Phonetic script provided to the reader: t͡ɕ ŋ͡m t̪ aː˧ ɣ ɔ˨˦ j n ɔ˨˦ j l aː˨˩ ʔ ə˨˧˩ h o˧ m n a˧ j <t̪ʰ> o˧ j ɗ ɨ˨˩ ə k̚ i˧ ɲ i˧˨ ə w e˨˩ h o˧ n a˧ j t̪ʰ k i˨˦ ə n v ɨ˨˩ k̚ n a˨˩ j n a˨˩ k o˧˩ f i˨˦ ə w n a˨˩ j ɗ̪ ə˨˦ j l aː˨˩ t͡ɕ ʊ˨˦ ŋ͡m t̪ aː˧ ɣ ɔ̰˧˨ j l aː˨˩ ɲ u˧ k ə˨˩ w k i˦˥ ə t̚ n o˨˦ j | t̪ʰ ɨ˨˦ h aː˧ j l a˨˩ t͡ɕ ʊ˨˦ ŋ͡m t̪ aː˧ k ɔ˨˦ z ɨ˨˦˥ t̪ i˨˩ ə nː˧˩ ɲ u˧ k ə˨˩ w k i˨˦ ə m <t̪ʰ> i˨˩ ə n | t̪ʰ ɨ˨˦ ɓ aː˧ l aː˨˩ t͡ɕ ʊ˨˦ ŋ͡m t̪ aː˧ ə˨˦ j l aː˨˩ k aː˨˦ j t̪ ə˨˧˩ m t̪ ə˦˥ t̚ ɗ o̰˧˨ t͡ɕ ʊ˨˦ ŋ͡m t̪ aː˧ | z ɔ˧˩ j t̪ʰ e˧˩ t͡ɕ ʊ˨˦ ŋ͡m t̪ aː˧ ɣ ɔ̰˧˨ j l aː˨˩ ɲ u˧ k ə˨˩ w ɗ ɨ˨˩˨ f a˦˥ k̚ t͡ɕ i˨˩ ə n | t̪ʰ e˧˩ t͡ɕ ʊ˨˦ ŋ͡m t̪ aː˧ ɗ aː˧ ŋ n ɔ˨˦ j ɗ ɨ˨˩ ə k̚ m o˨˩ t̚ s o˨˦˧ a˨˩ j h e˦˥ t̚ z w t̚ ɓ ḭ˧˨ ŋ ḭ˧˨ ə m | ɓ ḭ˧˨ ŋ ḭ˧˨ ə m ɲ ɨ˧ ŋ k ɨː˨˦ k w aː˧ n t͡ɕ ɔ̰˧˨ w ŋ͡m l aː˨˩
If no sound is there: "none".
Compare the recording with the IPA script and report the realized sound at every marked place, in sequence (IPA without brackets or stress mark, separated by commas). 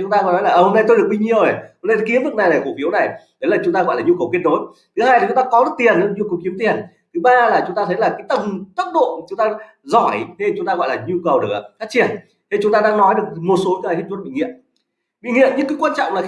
t̪, t̪